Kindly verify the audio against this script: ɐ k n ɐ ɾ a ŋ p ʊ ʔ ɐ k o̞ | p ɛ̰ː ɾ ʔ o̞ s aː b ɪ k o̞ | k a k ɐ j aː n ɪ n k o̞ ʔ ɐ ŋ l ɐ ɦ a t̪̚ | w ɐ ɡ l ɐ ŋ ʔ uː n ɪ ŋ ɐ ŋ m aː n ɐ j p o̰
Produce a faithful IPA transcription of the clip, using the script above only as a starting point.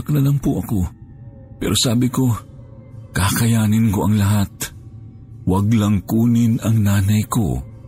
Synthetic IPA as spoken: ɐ k n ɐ l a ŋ p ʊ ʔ ɐ k o̞ | p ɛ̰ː ɾ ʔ o̞ s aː b ɪ k o̞ | k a k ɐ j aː n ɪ n k o̞ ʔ ɐ ŋ l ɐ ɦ a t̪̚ | w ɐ ɡ l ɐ ŋ k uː n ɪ n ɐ ŋ n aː n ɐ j k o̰